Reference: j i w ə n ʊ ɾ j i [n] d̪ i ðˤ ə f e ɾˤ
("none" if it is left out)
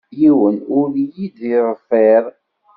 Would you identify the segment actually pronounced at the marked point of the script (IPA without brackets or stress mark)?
none